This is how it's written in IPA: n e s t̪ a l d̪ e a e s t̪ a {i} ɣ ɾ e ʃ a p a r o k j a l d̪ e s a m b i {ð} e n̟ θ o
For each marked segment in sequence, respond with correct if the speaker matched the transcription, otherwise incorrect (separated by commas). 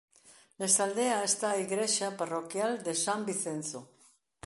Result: correct, incorrect